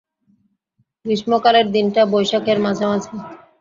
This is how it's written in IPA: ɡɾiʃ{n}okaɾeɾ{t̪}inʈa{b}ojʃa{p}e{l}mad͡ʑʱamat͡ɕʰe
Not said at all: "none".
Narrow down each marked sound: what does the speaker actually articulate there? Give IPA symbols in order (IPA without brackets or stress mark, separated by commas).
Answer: m, d̪, b, k, ɾ